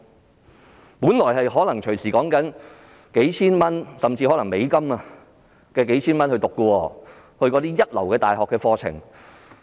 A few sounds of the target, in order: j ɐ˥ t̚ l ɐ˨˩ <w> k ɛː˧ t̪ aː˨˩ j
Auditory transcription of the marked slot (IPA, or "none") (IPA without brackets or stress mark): w